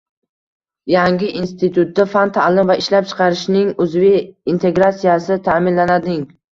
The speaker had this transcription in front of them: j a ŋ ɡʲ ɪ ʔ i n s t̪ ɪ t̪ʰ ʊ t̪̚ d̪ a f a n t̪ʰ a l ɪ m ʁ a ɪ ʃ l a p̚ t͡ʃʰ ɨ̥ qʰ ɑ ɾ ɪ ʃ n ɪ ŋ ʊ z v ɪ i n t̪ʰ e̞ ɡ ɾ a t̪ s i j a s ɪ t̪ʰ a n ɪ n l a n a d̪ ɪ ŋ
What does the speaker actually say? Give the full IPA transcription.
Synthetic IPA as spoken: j a ŋ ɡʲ ɪ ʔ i n s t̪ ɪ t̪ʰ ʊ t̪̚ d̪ a f a n t̪ʰ a l ɪ m v a ɪ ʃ l a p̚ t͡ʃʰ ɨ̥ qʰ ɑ ɾ ɪ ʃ n ɪ ŋ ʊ z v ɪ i n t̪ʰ e̞ ɡ ɾ a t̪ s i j a s ɪ t̪ʰ a m ɪ n l a n a d̪ ɪ ŋ